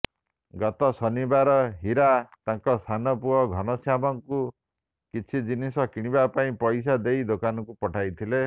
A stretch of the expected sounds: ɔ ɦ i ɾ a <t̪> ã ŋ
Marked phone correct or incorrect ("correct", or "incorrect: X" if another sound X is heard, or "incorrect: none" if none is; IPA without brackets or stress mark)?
correct